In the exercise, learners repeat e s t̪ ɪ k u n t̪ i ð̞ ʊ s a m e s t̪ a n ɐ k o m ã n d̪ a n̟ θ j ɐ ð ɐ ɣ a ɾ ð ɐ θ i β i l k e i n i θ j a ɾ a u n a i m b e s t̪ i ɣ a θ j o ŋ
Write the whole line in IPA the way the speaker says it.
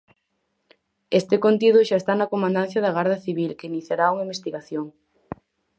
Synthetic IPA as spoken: e s t̪ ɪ k o n t̪ i ð̞ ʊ ʃ a e s t̪ a n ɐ k o m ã n d̪ a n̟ θ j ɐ ð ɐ ɣ a ɾ ð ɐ θ i β i l k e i n i θ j a ɾ a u ŋ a i m b e s t̪ i ɣ a θ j o ŋ